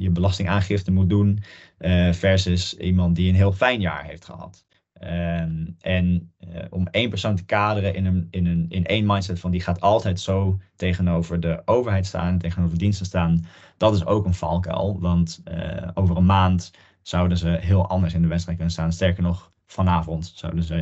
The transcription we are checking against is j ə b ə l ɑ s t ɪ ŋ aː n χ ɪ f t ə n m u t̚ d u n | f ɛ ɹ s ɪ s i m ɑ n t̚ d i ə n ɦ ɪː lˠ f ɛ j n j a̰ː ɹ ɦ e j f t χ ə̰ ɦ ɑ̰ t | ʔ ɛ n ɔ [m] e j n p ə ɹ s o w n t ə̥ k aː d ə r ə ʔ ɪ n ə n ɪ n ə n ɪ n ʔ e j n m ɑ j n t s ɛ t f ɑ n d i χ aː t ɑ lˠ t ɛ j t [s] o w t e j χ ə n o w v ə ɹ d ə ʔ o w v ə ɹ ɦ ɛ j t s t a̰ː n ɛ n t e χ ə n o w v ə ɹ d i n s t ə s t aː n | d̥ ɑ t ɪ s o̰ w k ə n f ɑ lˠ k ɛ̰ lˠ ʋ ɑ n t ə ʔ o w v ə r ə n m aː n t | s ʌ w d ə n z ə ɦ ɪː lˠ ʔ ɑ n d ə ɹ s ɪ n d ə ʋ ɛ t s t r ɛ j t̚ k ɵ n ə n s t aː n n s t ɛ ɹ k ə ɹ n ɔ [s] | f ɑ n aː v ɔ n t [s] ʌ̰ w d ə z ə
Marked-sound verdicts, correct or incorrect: correct, correct, incorrect: χ, correct

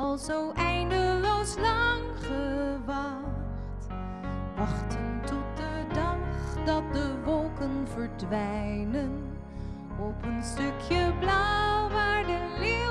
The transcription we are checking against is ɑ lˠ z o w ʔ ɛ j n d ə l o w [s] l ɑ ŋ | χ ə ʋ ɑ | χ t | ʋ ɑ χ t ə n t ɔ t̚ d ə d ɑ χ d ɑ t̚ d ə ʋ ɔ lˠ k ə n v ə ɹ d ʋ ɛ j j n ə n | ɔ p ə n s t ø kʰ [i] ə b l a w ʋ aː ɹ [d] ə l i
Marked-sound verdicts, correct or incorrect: correct, incorrect: j, correct

